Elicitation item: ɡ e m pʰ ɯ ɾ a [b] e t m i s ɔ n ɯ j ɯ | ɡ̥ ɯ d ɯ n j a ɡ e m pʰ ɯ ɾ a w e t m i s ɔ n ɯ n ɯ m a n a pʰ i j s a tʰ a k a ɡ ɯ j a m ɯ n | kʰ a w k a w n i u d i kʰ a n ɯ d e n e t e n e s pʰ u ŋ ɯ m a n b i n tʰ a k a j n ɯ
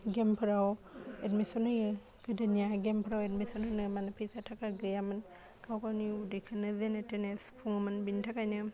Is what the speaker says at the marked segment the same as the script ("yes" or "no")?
no